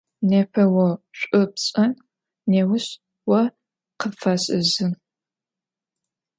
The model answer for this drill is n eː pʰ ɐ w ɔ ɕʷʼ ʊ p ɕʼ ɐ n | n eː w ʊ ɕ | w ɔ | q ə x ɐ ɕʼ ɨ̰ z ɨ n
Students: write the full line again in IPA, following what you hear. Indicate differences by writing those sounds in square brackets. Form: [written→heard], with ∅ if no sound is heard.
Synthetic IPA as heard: n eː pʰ ɐ w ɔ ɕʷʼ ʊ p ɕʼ ɐ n | n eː w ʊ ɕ | w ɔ | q ə [x→f] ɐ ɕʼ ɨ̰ z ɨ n